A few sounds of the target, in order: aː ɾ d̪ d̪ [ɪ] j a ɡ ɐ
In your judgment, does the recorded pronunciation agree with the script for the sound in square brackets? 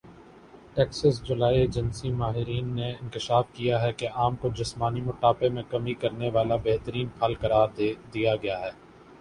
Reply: no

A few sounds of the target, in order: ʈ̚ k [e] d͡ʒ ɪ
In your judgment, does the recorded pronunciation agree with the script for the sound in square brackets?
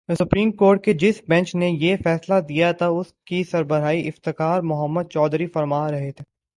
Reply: yes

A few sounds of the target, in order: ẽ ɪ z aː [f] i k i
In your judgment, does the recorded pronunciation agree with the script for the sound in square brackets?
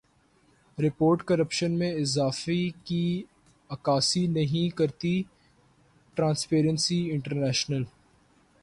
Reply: yes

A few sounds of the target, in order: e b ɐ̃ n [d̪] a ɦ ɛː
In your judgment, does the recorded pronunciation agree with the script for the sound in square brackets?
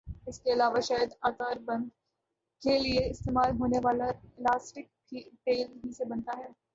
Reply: no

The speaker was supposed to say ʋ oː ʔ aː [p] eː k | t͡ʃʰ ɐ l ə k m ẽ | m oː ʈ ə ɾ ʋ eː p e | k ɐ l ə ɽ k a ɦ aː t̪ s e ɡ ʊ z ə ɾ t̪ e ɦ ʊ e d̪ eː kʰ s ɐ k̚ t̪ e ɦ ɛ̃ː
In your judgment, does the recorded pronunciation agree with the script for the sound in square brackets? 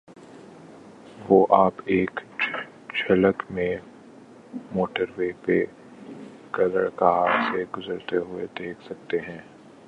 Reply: yes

